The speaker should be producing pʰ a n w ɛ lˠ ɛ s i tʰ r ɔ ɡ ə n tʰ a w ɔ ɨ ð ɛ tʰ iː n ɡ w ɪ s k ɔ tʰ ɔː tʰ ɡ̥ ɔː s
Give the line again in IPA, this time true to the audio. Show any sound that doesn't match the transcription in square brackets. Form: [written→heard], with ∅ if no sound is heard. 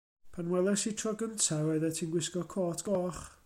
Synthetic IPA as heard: pʰ a n w ɛ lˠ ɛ s i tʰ r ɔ ɡ ə n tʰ a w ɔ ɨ ð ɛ tʰ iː n ɡ w ɪ s k ɔ [tʰ→kʰ] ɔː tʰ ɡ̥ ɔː [s→χ]

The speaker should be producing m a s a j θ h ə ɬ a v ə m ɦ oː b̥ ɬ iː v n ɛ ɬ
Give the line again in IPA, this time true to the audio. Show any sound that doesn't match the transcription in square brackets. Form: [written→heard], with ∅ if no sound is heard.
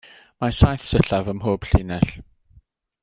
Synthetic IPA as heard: m a s a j θ [h→s] ə ɬ a v ə m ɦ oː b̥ ɬ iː [v→∅] n ɛ ɬ

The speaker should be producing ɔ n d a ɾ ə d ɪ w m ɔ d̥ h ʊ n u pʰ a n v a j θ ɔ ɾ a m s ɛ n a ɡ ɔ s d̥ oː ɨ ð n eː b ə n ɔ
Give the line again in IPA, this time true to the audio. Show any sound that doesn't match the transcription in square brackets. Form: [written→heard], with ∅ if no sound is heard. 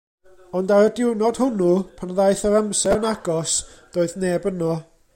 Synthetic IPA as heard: ɔ n d a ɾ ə d ɪ w [m→n] ɔ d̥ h ʊ n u pʰ a n [v→ð] a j θ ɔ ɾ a m s ɛ n a ɡ ɔ s d̥ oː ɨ ð n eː b ə n ɔ

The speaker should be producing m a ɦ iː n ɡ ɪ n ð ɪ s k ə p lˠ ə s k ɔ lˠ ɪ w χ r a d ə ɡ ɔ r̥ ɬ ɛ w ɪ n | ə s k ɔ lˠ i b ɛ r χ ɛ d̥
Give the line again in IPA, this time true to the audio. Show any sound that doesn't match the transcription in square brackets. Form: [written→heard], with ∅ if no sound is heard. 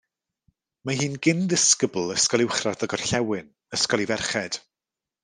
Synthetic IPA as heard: m a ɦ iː n ɡ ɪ n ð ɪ s k ə [p→b] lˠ ə s k ɔ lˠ ɪ w χ r a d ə ɡ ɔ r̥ ɬ ɛ w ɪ n | ə s k ɔ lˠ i [b→v] ɛ r χ ɛ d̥

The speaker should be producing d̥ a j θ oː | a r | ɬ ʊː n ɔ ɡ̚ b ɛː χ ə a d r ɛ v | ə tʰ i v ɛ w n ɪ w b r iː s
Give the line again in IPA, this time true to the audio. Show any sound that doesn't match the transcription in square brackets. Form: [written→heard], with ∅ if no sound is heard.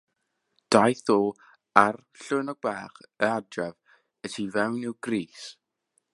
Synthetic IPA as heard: d̥ a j θ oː | a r | ɬ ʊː n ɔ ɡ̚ b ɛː χ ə a d r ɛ v | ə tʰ i v ɛ w n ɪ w [b→ɡ] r iː s

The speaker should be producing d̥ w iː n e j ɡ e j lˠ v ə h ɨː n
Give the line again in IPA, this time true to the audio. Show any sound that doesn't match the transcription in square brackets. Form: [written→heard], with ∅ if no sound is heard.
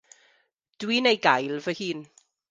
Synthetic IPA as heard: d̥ w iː n e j ɡ [e→a] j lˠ v ə h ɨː n

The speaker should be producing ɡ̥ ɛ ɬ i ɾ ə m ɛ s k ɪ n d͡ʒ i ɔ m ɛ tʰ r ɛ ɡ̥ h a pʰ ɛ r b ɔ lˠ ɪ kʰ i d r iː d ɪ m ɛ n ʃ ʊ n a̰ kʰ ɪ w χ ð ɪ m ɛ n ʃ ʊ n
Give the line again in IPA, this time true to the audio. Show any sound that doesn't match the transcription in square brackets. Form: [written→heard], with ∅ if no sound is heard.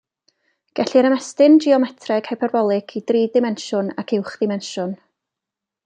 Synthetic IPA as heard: ɡ̥ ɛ ɬ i ɾ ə m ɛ s [k→t] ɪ n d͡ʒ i ɔ m ɛ tʰ r ɛ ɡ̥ h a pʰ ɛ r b ɔ lˠ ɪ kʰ i d r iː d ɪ m ɛ n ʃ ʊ n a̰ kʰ ɪ w χ ð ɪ m ɛ n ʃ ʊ n

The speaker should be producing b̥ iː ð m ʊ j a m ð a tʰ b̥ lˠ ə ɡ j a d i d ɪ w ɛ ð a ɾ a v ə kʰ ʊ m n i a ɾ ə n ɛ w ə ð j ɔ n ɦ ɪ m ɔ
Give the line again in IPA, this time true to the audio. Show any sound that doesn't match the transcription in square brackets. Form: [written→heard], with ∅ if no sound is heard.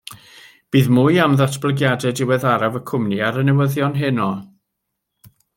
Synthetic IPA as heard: b̥ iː ð m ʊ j a m ð a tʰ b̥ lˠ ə ɡ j a d [i→ɛ] d ɪ w ɛ ð a ɾ a v ə kʰ ʊ m n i a ɾ ə n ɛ w ə ð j ɔ n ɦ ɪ [m→n] ɔ

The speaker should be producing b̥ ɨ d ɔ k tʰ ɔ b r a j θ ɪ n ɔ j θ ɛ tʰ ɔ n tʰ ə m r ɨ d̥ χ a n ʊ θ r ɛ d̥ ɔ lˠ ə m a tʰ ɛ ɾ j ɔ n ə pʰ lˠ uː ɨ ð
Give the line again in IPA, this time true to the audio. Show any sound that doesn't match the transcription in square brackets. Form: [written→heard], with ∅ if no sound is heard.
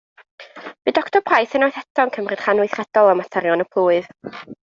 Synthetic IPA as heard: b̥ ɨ d ɔ k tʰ ɔ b r a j θ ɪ n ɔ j θ ɛ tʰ ɔ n [tʰ→kʰ] ə m r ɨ d̥ χ a n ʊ θ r ɛ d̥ ɔ lˠ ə m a tʰ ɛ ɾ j ɔ n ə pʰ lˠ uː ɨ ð

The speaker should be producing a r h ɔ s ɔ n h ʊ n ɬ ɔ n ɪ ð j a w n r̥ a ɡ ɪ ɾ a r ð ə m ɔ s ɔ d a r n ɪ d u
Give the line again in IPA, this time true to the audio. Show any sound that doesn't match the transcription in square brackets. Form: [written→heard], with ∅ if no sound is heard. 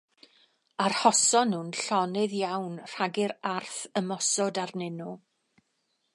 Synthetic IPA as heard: a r h ɔ s ɔ n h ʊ n ɬ ɔ n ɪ ð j a w n r̥ a ɡ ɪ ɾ a r [ð→θ] ə m ɔ s ɔ d a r n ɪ [d→n] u

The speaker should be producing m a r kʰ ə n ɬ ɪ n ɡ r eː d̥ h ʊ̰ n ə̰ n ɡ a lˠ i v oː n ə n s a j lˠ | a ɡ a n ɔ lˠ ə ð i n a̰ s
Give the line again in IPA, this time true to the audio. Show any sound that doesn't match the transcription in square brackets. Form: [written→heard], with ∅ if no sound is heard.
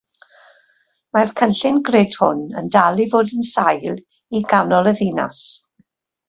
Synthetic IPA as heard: m a r kʰ ə n ɬ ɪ n ɡ r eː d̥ h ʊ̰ n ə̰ n [ɡ→d] a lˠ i v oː [n→d] ə n s a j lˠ | [a→i] ɡ a n ɔ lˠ ə ð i n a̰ s

